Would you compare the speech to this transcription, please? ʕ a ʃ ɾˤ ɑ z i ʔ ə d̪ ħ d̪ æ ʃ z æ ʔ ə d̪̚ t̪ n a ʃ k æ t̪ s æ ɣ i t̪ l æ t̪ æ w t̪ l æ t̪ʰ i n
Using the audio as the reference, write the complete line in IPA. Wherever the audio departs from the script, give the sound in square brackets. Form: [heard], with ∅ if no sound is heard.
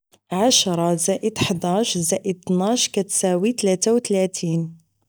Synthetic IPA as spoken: ʕ a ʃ ɾˤ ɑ z [æ] ʔ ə d̪ ħ d̪ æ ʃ z æ ʔ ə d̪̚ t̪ n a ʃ k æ t̪ s æ [w] i t̪ l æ t̪ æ w t̪ l æ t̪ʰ i n